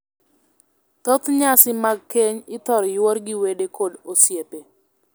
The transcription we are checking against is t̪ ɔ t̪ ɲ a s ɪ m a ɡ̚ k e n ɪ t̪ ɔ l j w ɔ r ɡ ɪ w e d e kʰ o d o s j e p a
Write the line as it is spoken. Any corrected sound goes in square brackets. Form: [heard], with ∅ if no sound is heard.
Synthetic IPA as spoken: t̪ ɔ t̪ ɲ a s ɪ m a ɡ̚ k e [ɲ] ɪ t̪ ɔ [ɾ] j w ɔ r ɡ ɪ w e d e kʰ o d o s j e p [e]